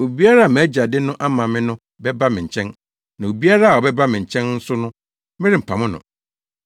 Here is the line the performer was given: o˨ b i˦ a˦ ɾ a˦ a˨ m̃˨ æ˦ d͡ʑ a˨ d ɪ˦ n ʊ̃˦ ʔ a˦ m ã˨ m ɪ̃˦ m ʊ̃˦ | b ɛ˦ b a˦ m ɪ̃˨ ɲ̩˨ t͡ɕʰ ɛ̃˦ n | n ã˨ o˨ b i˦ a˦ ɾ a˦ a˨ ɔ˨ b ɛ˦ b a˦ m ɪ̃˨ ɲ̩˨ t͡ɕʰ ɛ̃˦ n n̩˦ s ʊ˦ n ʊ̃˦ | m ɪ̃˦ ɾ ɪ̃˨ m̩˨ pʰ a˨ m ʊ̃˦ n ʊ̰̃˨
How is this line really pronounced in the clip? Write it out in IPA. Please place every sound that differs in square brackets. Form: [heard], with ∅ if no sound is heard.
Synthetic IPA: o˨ b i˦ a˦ ɾ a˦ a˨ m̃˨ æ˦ d͡ʑ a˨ d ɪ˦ n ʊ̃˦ ʔ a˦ m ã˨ m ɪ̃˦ [n] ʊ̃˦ | b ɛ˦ b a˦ m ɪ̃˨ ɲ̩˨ t͡ɕʰ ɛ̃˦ n | n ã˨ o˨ b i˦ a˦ ɾ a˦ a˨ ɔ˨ b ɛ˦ b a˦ m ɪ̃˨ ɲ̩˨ t͡ɕʰ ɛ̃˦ n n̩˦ s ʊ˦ n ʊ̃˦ | m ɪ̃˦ ɾ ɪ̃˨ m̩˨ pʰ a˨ m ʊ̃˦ n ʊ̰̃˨